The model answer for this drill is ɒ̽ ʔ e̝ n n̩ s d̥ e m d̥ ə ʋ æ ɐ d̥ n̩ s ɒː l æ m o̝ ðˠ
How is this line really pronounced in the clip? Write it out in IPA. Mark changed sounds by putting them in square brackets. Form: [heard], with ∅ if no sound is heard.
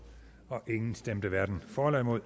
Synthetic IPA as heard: ɒ̽ ʔ e̝ [ŋ] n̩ s d̥ e m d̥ ə ʋ æ ɐ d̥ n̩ [f] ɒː l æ m o̝ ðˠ